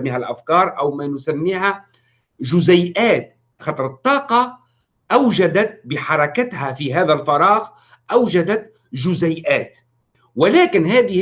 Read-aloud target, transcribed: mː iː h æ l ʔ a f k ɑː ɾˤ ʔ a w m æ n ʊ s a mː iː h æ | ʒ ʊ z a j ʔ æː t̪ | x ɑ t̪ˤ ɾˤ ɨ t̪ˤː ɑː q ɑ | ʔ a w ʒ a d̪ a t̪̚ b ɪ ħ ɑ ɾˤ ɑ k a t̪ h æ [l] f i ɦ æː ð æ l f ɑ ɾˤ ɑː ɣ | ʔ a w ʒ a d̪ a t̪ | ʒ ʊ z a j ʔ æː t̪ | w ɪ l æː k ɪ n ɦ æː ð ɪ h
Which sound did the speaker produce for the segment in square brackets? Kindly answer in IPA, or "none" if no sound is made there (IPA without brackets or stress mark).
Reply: none